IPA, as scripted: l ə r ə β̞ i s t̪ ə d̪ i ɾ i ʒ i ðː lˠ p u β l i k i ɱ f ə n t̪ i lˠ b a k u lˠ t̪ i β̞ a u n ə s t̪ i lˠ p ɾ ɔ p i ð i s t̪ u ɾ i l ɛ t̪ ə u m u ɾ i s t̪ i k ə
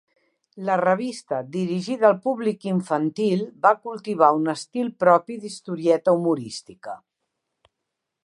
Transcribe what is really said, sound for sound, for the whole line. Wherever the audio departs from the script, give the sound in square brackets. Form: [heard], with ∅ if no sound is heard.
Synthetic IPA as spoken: l ə r ə β̞ i s t̪ ə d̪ i ɾ i ʒ i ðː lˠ p u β l i k i ɱ f ə n t̪ i lˠ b a k u lˠ t̪ i β̞ a u n ə s t̪ i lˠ p ɾ ɔ p i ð i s t̪ u ɾ i [∅] ɛ t̪ ə u m u ɾ i s t̪ i k ə